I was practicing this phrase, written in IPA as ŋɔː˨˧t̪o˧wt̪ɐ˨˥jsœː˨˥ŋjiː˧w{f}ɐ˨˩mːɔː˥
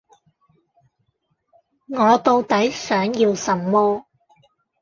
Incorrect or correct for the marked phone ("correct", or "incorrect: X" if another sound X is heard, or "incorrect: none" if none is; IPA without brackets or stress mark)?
incorrect: s